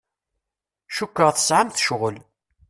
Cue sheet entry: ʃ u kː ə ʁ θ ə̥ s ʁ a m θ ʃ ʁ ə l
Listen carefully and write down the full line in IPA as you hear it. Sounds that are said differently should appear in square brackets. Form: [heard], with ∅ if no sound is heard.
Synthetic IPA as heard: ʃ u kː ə ʁ θ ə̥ s [ʕ] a m θ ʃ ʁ ə l